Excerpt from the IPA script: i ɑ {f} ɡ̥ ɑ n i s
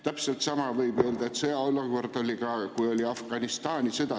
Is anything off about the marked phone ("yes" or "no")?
no